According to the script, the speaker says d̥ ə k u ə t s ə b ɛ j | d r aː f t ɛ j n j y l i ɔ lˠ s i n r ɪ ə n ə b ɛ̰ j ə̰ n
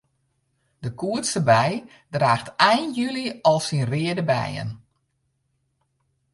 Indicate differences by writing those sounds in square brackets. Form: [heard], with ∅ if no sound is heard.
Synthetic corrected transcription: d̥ ə k u ə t s ə b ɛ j | d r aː [x] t ɛ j n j y l i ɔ lˠ s i n r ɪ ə [d] ə b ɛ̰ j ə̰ n

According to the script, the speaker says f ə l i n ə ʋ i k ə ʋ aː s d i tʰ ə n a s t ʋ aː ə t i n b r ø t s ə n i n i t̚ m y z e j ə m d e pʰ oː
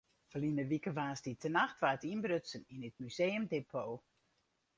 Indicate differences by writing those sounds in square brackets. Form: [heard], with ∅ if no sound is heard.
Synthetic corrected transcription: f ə l i n ə ʋ i k ə ʋ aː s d i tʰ ə n a [x] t ʋ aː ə t i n b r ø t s ə n i n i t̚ m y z e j ə m d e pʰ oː

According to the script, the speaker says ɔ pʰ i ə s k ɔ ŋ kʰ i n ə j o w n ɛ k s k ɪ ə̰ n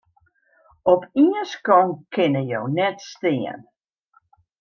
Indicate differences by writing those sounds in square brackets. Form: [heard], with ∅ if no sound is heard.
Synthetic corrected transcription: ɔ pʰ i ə s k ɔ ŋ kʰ [ɪ] n ə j o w n ɛ [t] s [t] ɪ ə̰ n

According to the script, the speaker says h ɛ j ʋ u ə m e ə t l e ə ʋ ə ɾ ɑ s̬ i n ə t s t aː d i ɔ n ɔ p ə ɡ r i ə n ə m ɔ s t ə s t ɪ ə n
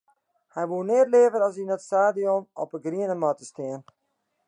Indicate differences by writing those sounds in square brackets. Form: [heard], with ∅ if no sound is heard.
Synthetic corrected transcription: h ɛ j ʋ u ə [n] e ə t l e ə [v] ə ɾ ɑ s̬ i n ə t s t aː d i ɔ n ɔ p ə ɡ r i ə n ə m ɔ [∅] t ə s t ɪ ə n

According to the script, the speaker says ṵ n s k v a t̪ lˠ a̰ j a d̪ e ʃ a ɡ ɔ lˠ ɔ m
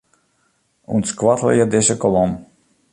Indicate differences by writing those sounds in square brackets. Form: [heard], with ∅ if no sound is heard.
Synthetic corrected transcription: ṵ n s k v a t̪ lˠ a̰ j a d̪ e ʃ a [k] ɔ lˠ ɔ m

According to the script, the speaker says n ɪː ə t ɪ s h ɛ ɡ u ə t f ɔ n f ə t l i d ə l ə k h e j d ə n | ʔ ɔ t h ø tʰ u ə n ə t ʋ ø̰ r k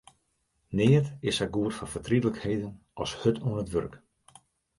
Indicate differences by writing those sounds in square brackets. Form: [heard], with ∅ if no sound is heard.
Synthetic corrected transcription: n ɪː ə t ɪ s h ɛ ɡ u ə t f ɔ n f ə t [r] i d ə l ə k h e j d ə n | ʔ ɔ [s] h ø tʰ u ə n ə t ʋ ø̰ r k

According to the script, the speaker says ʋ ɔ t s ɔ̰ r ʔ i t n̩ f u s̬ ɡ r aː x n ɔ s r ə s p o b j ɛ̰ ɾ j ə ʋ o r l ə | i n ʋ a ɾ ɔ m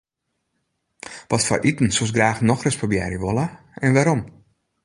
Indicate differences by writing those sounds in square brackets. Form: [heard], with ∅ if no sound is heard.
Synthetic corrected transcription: ʋ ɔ t [f] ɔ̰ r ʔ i t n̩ [s] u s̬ ɡ r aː x n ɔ [x] r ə s p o b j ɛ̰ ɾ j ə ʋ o [∅] l ə | [ɛ] n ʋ a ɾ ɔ m

